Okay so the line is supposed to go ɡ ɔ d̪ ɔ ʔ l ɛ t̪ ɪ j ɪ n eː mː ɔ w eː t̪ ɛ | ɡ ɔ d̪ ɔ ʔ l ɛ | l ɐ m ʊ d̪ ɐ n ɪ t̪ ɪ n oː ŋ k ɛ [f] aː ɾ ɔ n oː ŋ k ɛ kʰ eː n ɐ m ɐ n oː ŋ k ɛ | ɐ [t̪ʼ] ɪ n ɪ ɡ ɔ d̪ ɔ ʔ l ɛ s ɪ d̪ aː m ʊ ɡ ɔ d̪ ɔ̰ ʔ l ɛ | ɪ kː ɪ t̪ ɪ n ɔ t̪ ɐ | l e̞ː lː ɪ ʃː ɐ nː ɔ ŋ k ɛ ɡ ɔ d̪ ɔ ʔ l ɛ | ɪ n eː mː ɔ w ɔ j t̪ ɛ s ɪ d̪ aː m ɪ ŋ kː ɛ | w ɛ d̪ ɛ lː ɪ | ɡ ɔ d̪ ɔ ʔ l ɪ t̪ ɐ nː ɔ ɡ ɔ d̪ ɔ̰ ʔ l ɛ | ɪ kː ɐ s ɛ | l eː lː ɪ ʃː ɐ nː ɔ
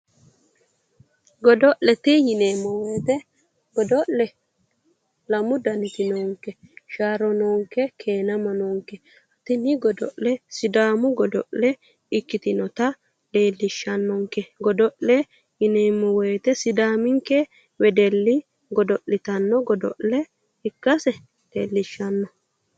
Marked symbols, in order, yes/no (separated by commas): no, no